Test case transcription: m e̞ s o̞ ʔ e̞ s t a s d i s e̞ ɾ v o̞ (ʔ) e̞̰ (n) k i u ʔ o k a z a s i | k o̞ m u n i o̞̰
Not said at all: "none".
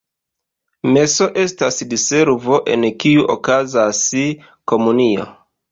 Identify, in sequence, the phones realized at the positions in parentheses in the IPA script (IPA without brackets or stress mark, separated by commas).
ʔ, n